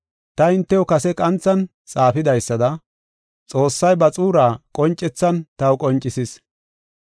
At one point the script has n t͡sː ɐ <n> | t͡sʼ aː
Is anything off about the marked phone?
no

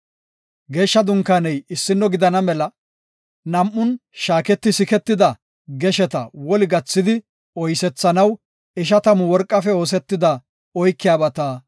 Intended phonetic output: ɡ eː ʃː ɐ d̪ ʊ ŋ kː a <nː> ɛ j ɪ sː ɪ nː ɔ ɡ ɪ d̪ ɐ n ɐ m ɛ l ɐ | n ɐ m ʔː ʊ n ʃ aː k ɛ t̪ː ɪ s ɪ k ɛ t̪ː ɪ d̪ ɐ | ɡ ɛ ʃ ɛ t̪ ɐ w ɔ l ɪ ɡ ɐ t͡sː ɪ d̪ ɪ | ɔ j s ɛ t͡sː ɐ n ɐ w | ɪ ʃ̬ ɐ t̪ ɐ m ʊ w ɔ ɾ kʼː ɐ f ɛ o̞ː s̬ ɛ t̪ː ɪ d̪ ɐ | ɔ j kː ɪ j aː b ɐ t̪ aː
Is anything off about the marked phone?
yes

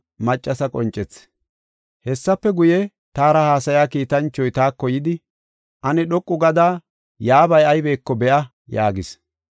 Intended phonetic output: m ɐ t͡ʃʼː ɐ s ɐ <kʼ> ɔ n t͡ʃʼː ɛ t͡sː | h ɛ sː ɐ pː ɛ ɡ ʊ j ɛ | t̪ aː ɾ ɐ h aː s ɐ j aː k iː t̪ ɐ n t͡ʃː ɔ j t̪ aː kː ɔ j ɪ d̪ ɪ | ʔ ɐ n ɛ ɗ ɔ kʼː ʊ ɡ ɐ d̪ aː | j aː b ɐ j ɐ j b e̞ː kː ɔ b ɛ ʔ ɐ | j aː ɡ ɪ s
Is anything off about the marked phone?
no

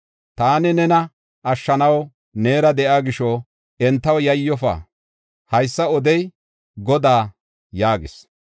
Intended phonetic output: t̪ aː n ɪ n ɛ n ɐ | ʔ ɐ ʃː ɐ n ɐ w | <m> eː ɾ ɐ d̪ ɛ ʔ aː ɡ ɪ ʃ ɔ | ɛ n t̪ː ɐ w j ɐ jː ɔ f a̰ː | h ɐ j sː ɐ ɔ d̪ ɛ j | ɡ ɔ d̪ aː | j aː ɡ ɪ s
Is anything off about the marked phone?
yes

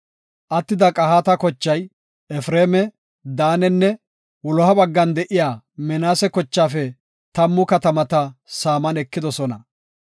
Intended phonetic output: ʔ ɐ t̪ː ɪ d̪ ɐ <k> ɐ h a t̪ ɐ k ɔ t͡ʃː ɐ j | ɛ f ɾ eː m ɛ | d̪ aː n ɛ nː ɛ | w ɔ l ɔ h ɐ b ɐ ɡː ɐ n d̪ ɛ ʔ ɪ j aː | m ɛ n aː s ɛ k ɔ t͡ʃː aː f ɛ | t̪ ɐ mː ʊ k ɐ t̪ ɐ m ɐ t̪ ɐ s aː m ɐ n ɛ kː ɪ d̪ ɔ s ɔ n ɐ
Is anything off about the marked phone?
yes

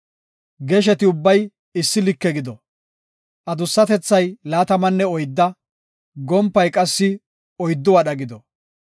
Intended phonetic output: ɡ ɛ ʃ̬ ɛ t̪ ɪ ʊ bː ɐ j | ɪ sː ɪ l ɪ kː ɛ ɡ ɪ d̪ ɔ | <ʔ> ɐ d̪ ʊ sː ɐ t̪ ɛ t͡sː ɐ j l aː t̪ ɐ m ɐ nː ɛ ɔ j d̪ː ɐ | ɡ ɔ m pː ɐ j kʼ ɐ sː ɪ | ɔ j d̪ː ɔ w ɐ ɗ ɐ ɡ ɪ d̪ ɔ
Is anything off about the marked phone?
no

